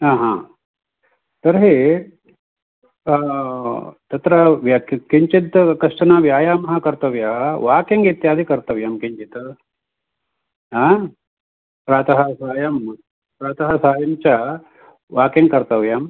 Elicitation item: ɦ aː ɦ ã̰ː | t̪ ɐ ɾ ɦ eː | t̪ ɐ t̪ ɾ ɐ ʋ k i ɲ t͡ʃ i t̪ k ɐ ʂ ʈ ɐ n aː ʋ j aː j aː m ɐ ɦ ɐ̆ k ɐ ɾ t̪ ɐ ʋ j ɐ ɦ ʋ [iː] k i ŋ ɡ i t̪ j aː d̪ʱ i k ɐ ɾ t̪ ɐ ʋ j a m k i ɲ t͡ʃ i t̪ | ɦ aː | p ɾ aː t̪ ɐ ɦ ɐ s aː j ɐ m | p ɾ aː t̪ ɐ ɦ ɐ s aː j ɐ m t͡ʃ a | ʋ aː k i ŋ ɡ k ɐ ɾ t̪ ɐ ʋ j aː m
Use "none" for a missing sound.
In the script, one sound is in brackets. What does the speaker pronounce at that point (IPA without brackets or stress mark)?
aː